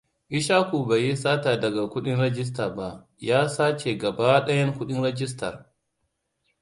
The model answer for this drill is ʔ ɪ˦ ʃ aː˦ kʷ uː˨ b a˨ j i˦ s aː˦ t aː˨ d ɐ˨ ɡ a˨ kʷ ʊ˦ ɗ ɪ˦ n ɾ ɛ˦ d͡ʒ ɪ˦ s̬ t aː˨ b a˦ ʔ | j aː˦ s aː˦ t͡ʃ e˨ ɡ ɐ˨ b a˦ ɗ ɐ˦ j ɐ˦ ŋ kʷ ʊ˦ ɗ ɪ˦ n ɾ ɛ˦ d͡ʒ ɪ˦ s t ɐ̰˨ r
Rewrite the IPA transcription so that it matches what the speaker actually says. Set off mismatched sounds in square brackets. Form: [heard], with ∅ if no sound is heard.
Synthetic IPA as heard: ʔ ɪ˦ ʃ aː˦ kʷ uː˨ b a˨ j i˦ s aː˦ t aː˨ d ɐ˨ ɡ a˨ kʷ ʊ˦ ɗ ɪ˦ n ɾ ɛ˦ d͡ʒ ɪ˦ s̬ t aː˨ b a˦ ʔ | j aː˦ s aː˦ t͡ʃ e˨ ɡ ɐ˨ b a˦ ɗ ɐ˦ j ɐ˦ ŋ kʷ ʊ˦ ɗ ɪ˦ n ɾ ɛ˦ d͡ʒ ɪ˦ s t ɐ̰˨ r

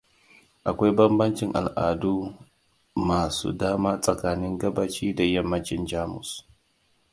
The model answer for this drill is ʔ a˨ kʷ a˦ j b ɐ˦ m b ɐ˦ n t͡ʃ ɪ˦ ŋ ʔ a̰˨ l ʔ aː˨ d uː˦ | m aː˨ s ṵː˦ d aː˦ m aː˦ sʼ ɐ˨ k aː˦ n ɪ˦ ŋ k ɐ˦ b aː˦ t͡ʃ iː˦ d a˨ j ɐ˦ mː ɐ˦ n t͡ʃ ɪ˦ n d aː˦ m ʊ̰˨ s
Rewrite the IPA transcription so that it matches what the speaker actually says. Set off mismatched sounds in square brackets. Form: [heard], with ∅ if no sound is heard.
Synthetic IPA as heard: ʔ a˨ kʷ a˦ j b ɐ˦ m b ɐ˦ n t͡ʃ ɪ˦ ŋ ʔ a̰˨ l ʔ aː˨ d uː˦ | m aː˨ s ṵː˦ d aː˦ m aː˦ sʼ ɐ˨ k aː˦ n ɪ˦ ŋ [ɡ] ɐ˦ b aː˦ t͡ʃ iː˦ d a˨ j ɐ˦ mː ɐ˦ n t͡ʃ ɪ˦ n [d͡ʒ] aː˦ m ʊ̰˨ s

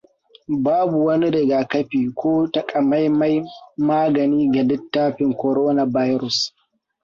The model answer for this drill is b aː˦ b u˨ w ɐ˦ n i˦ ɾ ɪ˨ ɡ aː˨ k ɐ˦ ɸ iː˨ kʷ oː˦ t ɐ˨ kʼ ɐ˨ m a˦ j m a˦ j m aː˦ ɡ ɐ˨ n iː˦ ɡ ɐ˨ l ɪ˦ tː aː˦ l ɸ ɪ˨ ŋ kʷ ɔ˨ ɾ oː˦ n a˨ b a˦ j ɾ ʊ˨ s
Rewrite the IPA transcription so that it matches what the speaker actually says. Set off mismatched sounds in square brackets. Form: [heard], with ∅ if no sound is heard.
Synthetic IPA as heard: b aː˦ b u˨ w ɐ˦ n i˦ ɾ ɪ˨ ɡ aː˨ k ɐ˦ ɸ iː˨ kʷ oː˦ t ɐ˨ kʼ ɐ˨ m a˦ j m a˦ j m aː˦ ɡ ɐ˨ n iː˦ ɡ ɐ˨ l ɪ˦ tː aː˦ [∅] ɸ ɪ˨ ŋ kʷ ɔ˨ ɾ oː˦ n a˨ b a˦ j ɾ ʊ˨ s

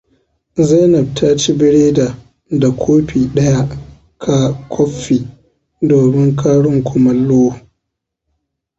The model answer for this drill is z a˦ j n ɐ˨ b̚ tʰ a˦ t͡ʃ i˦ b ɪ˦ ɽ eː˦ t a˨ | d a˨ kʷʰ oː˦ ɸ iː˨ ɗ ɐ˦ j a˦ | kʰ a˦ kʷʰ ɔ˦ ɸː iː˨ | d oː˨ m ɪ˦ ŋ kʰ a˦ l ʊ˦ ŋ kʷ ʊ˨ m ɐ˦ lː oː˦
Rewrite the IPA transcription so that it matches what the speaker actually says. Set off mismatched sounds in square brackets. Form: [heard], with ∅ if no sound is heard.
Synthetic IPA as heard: z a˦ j n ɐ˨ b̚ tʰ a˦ t͡ʃ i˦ b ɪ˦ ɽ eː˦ [d] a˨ | d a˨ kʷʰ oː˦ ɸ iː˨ ɗ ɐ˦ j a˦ | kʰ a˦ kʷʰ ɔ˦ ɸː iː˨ | d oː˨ m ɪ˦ ŋ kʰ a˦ [ɽ] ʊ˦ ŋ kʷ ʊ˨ m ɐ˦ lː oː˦

